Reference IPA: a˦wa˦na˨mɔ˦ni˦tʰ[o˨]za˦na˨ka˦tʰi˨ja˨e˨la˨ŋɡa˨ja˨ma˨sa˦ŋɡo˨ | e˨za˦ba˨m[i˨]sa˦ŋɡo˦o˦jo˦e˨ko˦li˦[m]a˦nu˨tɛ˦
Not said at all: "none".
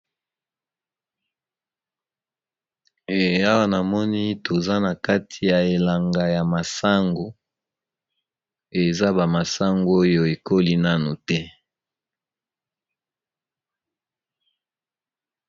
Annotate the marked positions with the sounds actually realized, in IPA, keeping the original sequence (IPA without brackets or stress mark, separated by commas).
o˨, a˨, n